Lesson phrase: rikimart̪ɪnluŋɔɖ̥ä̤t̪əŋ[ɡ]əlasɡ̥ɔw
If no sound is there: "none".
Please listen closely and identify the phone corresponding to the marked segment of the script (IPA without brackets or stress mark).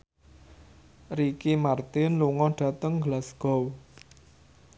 ɡ